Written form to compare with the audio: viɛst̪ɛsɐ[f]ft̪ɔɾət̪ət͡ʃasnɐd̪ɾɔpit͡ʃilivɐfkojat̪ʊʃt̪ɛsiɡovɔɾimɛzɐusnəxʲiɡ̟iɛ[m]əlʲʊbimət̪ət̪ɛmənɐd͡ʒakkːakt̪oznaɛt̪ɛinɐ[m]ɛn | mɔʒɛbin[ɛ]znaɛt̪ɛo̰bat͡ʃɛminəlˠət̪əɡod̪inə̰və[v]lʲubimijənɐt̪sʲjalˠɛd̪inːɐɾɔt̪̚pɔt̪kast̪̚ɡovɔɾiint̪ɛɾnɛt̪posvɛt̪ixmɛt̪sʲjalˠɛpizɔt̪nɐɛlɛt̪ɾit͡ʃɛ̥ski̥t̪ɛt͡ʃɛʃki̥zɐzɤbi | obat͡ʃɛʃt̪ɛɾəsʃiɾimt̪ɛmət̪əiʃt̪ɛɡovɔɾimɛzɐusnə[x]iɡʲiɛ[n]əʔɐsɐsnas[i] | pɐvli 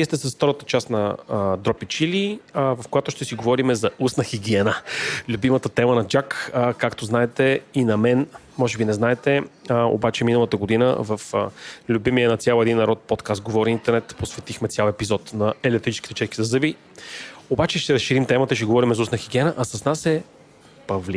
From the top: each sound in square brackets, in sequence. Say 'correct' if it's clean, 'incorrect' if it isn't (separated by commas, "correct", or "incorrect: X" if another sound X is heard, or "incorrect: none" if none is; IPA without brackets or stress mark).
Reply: incorrect: s, incorrect: n, correct, correct, incorrect: f, correct, correct, incorrect: ɛ